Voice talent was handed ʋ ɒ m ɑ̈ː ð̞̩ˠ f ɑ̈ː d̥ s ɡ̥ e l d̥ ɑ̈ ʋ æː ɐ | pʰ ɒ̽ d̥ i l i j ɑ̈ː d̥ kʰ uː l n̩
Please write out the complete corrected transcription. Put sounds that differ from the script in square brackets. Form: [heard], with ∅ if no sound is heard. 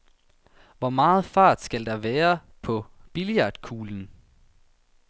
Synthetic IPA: ʋ ɒ m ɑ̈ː ð̞̩ˠ f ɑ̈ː d̥ s ɡ̥ [æ] l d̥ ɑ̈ ʋ æː ɐ | pʰ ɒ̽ [b̥] i l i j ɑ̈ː d̥ kʰ uː l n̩